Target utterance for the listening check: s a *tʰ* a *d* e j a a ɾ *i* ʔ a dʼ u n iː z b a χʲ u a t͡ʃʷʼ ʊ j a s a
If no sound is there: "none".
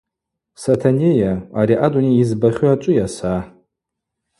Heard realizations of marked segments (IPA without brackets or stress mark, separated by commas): tʰ, n, i